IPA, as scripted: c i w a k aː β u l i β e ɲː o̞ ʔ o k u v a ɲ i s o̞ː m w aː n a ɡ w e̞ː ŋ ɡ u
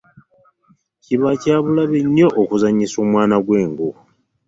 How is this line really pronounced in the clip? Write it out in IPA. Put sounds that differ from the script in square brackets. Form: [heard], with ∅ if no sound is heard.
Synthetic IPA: c i [β] a [c] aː β u l [a] β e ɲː o̞ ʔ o k u [z] a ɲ i s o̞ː m w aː n a ɡ w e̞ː ŋ ɡ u